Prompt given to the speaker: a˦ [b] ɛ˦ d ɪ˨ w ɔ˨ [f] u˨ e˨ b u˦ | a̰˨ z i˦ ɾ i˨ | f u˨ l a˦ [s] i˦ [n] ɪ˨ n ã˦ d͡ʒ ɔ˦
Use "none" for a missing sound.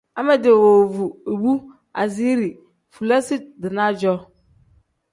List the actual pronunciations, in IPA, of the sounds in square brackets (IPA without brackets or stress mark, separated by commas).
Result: m, v, s, d